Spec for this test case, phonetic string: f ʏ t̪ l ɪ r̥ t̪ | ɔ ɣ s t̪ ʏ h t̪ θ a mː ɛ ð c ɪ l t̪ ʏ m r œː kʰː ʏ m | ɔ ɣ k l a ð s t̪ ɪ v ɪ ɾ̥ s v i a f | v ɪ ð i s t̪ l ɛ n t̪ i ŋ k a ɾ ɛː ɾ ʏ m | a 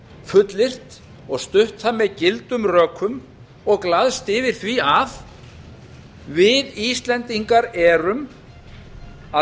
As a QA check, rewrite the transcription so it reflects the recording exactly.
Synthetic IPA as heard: f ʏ t̪ l ɪ r̥ t̪ | ɔ ɣ s t̪ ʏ h t̪ θ a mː ɛ ð c ɪ l t̪ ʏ m r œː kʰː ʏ m | ɔ ɣ k l a ð s t̪ ɪ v ɪ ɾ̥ θ v i a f | v ɪ ð i s t̪ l ɛ n t̪ i ŋ k a ɾ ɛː ɾ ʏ m | a